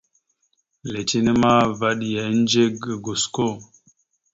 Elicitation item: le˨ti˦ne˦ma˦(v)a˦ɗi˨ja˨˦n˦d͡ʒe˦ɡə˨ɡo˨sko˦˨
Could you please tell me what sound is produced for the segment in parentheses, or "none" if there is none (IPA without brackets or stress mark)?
v